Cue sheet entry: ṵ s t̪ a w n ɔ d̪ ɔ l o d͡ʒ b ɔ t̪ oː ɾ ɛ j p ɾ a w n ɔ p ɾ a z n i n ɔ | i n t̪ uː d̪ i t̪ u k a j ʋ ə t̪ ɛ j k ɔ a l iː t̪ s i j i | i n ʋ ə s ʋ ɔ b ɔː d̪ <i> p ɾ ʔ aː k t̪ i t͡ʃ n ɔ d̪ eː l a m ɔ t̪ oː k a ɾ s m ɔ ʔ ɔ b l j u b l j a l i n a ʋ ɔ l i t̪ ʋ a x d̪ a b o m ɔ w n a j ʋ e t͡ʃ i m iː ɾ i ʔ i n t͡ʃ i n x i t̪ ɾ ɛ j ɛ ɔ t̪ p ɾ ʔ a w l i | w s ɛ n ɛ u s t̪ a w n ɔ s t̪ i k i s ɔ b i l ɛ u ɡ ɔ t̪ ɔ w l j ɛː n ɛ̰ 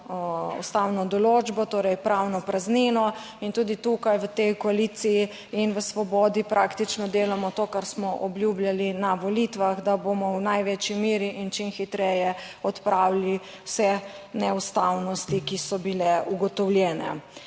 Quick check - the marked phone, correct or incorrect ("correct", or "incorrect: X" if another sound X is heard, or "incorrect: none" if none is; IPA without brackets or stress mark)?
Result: correct